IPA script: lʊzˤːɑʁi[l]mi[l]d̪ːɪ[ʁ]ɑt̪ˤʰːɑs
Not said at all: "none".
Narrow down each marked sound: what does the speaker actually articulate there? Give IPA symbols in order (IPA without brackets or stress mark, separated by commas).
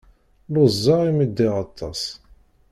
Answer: none, none, ʁ